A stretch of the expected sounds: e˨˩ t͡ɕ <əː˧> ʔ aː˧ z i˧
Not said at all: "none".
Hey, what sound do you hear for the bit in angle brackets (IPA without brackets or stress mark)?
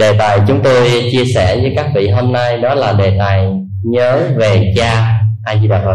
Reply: aː˧